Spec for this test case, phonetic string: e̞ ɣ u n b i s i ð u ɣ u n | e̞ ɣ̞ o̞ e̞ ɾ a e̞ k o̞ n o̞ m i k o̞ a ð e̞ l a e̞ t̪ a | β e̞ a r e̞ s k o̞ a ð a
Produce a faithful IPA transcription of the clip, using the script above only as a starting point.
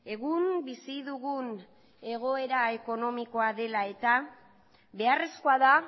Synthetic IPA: e̞ ɣ u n b i s i ð u ɣ u n | e̞ ɣ̞ o̞ e̞ ɾ a e̞ k o̞ n o̞ m i k o̞ a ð e̞ l a e̞ t̪ a | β e̞ a r e̞ s k o̞ a ð a